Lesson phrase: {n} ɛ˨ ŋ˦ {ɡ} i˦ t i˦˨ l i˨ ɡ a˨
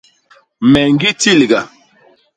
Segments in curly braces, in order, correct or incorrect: incorrect: m, correct

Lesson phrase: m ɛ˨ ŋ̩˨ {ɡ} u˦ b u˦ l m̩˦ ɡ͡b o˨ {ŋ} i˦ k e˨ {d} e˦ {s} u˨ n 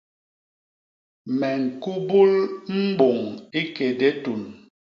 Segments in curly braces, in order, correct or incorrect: incorrect: k, correct, correct, incorrect: t

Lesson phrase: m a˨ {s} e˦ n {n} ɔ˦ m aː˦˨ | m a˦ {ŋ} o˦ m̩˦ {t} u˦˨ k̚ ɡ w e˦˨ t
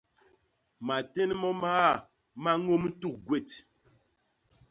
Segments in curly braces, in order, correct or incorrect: incorrect: t, incorrect: m, correct, correct

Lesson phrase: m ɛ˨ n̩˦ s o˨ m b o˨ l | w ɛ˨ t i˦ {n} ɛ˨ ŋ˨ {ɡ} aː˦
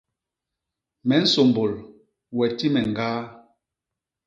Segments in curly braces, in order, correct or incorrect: incorrect: m, correct

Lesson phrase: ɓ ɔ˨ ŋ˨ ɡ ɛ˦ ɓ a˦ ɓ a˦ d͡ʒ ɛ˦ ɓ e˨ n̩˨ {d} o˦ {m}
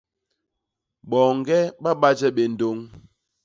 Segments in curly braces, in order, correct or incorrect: correct, incorrect: ŋ

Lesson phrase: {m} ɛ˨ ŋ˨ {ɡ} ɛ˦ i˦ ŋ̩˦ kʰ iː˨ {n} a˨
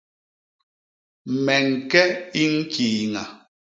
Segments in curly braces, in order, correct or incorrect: correct, incorrect: k, incorrect: ŋ

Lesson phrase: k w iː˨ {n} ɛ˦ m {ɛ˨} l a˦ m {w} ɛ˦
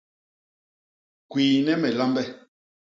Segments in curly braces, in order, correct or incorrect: correct, correct, incorrect: b

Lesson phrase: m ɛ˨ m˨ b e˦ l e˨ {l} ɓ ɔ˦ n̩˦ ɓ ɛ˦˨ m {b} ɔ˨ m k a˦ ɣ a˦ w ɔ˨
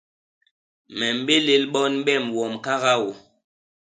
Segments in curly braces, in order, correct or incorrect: correct, incorrect: w

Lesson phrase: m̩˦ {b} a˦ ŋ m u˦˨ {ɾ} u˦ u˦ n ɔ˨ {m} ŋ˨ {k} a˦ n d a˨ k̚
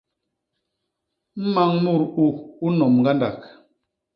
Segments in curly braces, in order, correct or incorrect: incorrect: m, correct, correct, incorrect: ɡ

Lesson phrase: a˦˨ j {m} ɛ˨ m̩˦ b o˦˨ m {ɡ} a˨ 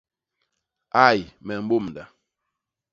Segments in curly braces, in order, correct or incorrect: correct, incorrect: d

